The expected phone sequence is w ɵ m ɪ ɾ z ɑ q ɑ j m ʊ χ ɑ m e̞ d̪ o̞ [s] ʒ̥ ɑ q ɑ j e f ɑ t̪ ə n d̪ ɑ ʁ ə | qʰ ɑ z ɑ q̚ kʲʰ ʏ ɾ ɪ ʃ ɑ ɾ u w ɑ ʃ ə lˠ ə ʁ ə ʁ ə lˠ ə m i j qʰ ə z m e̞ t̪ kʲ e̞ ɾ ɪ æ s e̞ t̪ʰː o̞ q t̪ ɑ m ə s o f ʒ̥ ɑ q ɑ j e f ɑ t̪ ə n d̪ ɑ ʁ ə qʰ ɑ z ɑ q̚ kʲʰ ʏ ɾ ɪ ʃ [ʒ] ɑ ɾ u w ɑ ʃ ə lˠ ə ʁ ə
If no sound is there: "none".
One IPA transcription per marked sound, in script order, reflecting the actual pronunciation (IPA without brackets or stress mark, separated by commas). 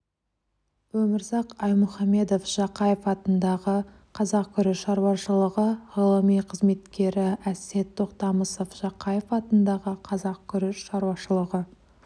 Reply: f, ʃ